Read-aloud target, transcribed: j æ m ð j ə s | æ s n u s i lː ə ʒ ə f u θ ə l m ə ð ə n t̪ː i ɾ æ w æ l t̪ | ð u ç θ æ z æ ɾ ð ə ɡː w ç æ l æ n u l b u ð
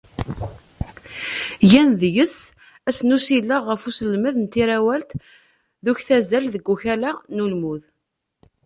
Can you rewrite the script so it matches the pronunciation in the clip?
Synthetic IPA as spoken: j æ n ð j ə s | æ s n u s i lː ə ʁ ə f u s ə l m ə ð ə n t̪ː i ɾ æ w æ l t̪ | ð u ç θ æ z æ l ð ə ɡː u ç æ l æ n u l m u ð

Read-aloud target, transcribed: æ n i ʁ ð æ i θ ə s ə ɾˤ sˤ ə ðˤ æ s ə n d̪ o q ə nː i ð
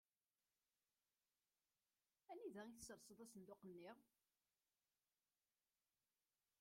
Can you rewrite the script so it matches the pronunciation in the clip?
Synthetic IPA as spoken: æ n i ð æ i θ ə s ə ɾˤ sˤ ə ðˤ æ s ə n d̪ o q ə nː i ʁ

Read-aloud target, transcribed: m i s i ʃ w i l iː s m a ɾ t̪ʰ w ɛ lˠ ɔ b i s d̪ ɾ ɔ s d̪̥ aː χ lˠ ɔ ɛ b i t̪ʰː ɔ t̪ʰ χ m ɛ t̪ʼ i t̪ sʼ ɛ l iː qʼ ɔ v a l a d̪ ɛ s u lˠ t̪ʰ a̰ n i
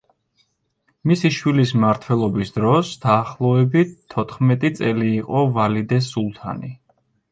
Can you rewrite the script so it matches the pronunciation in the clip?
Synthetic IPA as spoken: m i s i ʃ w i l i s m a ɾ t̪ʰ w ɛ lˠ ɔ b i s d̪ ɾ ɔ s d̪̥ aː χ lˠ ɔ ɛ b i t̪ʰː ɔ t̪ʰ χ m ɛ t̪ʼ i t̪ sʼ ɛ l iː qʼ ɔ v a l i d̪ ɛ s u lˠ t̪ʰ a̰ n i

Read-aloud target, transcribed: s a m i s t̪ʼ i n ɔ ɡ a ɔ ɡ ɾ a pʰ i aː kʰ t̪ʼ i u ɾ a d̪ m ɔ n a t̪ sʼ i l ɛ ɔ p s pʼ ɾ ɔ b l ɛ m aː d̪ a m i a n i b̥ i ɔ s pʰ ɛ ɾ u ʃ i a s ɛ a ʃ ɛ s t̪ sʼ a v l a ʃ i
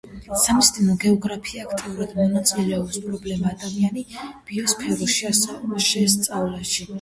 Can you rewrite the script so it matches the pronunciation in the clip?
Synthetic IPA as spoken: s a m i s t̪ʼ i n ɔ ɡ ɛ ɔ ɡ ɾ a pʰ i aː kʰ t̪ʼ i u ɾ a d̪ m ɔ n a t̪ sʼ i l ɛ ɔ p s pʼ ɾ ɔ b l ɛ m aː d̪ a m i a n i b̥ i ɔ s pʰ ɛ ɾ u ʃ i a s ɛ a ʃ ɛ s t̪ sʼ a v l a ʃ i

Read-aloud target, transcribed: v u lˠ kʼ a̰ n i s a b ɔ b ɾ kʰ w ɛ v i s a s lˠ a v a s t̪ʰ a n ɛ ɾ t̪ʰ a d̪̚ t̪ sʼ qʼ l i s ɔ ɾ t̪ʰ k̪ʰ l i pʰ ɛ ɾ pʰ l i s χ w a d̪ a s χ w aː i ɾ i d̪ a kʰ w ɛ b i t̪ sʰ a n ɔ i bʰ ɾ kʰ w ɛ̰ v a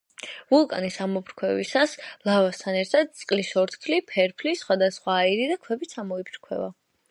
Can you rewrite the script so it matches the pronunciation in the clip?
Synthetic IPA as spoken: v u lˠ kʼ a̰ n i s a m ɔ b ɾ kʰ w ɛ v i s a s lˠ a v a s t̪ʰ a n ɛ ɾ t̪ʰ a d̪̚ t̪ sʼ qʼ l i s ɔ ɾ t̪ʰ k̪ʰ l i pʰ ɛ ɾ pʰ l i s χ w a d̪ a s χ w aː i ɾ i d̪ a kʰ w ɛ b i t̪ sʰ a m ɔ i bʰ ɾ kʰ w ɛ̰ v a

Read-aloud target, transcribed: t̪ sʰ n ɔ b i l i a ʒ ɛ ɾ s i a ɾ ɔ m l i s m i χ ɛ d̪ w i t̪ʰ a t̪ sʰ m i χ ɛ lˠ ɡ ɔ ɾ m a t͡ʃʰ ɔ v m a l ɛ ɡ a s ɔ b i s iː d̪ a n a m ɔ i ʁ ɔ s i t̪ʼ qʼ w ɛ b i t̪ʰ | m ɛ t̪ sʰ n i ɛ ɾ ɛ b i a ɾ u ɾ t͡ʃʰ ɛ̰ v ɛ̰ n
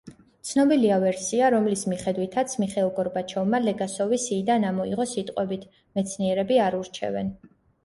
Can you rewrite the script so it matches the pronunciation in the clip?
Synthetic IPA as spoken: t̪ sʰ n ɔ b i l i a v ɛ ɾ s i a ɾ ɔ m l i s m i χ ɛ d̪ w i t̪ʰ a t̪ sʰ m i χ ɛ lˠ ɡ ɔ ɾ b a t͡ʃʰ ɔ v m a l ɛ ɡ a s ɔ v i s iː d̪ a n a m ɔ i ʁ ɔ s i t̪ʼ qʼ w ɛ b i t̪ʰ | m ɛ t̪ sʰ n i ɛ ɾ ɛ b i a ɾ u ɾ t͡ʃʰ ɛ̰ v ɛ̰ n

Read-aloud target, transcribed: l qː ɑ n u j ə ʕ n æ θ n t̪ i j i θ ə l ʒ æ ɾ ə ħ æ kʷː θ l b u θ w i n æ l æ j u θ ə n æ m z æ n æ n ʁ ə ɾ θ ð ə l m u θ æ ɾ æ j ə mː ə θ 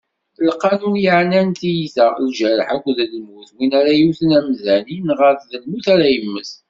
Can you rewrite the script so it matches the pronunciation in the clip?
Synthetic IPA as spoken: l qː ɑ n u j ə ʕ n æ n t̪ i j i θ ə l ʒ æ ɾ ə ħ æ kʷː ð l m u θ w i n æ ɾ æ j u θ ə n æ m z æ n i n ʁ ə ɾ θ ð ə l m u θ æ ɾ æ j ə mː ə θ

